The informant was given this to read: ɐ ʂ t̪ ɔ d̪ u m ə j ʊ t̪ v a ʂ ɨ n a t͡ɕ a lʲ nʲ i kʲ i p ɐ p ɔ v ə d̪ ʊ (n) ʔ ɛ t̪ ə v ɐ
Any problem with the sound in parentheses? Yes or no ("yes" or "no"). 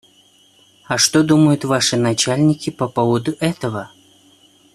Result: yes